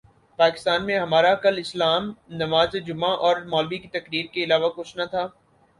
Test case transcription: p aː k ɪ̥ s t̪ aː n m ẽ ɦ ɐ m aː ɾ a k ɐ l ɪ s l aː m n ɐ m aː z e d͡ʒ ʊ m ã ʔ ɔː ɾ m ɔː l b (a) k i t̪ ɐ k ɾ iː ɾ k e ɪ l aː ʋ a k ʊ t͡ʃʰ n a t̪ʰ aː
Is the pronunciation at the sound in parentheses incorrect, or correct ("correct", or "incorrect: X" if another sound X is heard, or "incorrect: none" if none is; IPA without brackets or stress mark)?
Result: incorrect: i